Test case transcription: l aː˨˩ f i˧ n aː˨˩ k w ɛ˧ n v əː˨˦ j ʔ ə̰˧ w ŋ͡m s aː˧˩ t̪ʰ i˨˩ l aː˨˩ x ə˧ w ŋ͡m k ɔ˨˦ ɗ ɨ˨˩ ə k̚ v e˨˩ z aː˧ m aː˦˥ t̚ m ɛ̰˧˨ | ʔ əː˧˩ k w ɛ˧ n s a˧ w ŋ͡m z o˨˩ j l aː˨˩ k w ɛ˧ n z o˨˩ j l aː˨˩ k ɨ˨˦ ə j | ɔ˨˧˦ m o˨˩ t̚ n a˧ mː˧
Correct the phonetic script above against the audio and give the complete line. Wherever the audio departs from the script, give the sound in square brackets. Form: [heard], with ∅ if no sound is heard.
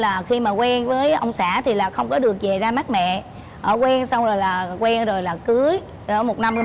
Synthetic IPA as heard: l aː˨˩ [x] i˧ [m] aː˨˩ k w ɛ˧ n v əː˨˦ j ʔ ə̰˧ w ŋ͡m s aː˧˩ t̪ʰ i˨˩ l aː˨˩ x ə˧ w ŋ͡m k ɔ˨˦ ɗ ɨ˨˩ ə k̚ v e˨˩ z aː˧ m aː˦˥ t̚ m ɛ̰˧˨ | ʔ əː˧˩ k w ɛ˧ n s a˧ w ŋ͡m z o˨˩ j l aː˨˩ k w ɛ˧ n z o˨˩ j l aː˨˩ k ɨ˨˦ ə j | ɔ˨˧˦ m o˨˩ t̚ n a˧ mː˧

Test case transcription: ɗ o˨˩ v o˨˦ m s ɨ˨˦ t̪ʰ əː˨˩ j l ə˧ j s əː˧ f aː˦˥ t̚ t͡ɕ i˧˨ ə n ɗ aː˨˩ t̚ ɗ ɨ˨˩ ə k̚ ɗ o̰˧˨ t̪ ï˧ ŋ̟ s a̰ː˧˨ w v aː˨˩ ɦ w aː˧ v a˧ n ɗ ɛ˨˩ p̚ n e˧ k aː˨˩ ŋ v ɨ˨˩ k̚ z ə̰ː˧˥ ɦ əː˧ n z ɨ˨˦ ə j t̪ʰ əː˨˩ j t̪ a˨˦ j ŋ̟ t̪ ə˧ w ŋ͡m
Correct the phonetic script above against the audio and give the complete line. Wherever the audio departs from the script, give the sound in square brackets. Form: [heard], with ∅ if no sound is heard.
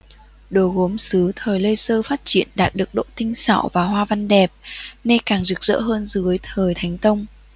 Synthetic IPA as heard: ɗ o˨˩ [ɣ] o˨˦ m s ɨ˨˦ t̪ʰ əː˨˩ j l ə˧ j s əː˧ f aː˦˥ t̚ t͡ɕ i˧˨ ə n ɗ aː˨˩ t̚ ɗ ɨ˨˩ ə k̚ ɗ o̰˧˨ t̪ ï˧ ŋ̟ s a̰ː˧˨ w v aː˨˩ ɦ w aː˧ v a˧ n ɗ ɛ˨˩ p̚ n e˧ k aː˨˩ ŋ [z] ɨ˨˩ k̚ z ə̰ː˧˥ ɦ əː˧ n z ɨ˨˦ ə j t̪ʰ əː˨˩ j [t̪ʰ] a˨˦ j ŋ̟ t̪ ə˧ w ŋ͡m

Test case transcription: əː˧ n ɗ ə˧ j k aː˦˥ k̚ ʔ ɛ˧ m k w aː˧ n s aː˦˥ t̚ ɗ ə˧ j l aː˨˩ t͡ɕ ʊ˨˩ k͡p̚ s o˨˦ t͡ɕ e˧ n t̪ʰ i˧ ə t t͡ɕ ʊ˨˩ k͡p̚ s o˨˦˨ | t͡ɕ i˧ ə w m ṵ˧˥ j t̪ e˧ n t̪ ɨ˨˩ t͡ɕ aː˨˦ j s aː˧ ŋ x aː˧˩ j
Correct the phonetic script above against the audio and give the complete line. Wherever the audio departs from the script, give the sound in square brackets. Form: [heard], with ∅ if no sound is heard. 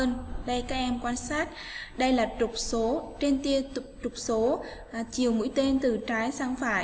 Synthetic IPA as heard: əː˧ n ɗ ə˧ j k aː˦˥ k̚ ʔ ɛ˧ m k w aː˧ n s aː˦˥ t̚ ɗ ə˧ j l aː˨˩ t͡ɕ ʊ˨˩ k͡p̚ s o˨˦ t͡ɕ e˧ n [t̪] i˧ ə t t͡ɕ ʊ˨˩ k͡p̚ s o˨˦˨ | t͡ɕ [i˨˩] ə w m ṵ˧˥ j t̪ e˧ n t̪ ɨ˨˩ t͡ɕ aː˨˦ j s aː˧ ŋ [f] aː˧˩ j

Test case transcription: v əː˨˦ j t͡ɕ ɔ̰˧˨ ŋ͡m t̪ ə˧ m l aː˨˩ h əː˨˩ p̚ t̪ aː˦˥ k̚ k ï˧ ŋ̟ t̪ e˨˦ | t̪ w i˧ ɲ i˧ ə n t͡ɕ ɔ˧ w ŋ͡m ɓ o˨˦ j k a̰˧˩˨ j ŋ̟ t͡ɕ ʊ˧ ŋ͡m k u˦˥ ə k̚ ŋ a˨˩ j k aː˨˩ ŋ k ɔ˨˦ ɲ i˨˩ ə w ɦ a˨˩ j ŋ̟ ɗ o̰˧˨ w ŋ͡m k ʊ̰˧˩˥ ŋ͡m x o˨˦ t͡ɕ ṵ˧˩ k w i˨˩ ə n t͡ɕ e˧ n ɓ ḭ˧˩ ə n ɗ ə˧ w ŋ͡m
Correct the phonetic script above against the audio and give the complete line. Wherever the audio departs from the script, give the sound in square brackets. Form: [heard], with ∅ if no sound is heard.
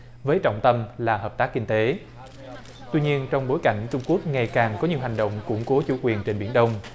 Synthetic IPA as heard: v əː˨˦ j t͡ɕ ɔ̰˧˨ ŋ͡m t̪ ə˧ m l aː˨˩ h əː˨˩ p̚ t̪ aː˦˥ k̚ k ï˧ ŋ̟ t̪ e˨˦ | t̪ w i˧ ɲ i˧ ə n t͡ɕ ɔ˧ w ŋ͡m ɓ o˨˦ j k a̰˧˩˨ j ŋ̟ t͡ɕ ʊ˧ ŋ͡m k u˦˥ ə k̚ ŋ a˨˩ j k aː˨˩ ŋ k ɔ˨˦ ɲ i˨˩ ə w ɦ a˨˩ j ŋ̟ ɗ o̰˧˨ w ŋ͡m k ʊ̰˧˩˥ ŋ͡m [k] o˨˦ t͡ɕ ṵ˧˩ k w i˨˩ ə n t͡ɕ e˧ n ɓ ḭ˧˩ ə n ɗ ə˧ w ŋ͡m

